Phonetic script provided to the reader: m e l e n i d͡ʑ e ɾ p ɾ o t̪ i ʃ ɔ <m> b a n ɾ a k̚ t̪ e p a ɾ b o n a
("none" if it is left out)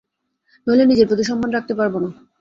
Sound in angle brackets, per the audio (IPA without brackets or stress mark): m